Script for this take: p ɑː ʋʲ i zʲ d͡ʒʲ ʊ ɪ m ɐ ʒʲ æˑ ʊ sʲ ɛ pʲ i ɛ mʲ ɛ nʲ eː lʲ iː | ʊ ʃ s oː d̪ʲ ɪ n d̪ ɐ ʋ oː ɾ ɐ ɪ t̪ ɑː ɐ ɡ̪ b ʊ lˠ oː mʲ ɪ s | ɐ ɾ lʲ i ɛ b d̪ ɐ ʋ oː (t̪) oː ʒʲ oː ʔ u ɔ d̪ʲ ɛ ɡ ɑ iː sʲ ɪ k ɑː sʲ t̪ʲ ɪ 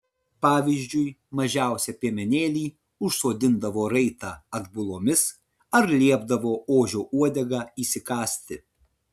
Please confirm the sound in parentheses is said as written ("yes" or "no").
no